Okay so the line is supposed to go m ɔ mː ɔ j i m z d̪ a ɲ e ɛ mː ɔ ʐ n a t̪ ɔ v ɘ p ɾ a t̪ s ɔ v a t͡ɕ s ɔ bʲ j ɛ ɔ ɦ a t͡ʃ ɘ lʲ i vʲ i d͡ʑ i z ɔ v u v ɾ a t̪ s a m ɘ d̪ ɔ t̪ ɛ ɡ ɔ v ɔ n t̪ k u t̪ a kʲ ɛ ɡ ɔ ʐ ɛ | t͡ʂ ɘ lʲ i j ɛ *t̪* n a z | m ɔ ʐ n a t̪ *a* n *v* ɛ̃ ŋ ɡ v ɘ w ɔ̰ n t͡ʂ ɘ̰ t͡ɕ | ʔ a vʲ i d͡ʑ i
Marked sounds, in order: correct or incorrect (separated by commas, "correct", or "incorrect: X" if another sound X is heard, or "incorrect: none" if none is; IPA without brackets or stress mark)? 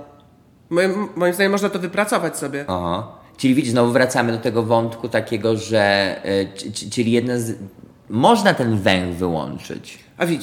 incorrect: d̪, incorrect: ɛ, correct